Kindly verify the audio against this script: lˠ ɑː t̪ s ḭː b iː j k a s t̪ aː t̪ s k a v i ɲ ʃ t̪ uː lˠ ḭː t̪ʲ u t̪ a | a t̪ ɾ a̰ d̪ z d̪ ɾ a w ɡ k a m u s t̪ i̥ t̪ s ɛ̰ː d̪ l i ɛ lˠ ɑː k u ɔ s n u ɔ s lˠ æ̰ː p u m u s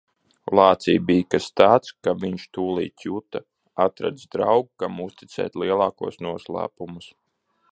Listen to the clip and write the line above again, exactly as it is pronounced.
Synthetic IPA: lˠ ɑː t̪ s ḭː b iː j k a s t̪ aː t̪ s k a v i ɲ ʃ t̪ uː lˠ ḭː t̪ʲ u t̪ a | a t̪ ɾ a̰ d̪ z d̪ ɾ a w ɡ k a m u s t̪ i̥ t̪ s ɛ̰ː t̪ l i ɛ lˠ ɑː k u ɔ s n u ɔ s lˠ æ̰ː p u m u s